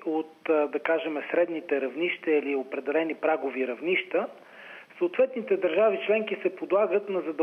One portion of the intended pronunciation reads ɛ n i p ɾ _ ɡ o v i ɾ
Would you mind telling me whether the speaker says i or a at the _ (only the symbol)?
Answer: a